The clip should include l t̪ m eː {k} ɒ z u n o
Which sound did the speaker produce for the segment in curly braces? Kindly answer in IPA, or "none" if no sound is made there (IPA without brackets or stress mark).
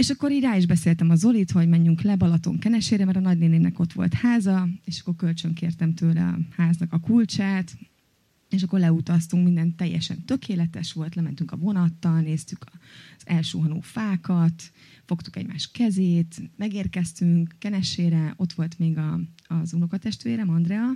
ɡ